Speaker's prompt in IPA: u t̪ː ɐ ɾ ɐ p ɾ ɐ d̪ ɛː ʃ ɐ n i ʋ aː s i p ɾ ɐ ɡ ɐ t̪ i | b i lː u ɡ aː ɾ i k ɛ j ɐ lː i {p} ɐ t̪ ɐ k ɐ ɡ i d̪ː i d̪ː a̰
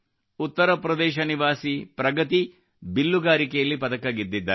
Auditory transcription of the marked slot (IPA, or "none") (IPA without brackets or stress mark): p